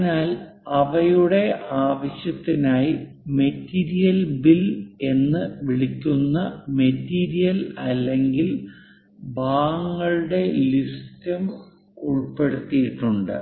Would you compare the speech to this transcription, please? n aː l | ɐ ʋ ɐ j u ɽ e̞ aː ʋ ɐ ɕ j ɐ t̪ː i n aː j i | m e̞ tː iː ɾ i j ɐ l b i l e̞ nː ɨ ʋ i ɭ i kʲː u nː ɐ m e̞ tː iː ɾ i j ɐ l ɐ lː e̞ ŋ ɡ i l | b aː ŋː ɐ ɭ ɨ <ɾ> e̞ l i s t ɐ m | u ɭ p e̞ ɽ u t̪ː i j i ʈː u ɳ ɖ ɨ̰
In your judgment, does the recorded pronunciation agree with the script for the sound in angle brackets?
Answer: no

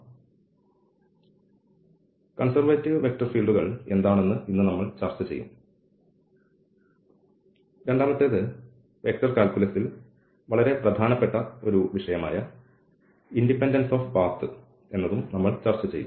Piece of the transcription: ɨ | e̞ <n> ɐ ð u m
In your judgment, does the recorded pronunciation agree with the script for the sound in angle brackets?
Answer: no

